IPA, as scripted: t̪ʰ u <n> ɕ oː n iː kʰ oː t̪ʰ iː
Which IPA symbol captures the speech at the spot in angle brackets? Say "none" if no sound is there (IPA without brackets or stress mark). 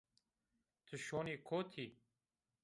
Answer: none